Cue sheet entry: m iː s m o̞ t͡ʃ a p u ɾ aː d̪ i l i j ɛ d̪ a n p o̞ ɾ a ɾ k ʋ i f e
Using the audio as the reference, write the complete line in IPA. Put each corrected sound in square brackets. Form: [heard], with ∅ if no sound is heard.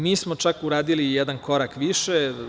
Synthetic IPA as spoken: m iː s m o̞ t͡ʃ a [k] u ɾ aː d̪ i l i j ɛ d̪ a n [k] o̞ ɾ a [∅] k ʋ i [ʃ] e